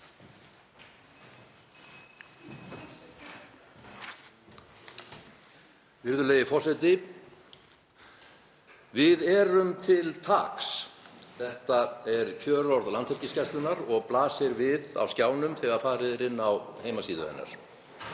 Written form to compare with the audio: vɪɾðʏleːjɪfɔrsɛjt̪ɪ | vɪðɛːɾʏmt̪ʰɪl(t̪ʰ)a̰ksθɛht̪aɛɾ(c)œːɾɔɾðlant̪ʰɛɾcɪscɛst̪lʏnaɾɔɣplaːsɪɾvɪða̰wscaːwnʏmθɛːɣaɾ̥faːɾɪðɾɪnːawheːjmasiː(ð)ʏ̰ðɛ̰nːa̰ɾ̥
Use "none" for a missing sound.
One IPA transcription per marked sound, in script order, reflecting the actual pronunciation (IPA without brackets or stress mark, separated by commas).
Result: t̪ʰ, cʰ, ð